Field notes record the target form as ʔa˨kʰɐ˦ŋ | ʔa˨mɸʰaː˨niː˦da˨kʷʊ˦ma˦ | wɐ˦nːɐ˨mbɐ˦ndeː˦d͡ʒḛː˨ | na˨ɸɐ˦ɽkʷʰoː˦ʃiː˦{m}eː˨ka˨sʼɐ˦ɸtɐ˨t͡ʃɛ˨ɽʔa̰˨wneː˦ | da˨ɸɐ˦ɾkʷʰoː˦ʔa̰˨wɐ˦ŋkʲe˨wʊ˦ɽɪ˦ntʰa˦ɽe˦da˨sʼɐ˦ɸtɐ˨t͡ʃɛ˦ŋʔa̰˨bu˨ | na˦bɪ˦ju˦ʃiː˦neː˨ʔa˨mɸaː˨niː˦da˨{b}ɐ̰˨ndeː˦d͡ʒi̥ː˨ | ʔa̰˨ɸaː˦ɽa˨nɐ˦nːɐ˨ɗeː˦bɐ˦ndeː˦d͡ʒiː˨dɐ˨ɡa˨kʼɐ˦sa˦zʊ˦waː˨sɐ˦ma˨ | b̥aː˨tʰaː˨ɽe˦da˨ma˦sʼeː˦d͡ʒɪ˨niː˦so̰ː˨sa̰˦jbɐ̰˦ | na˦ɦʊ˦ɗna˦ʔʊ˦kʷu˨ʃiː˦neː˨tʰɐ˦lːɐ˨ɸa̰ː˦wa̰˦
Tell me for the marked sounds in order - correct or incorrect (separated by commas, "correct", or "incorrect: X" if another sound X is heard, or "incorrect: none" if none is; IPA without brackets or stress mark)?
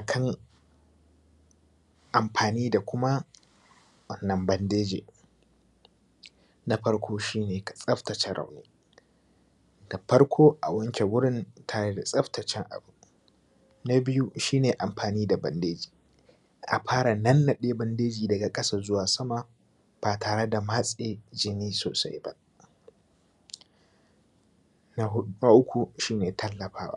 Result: incorrect: n, correct